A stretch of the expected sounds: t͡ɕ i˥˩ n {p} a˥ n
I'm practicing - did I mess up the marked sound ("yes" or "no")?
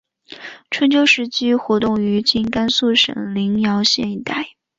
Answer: yes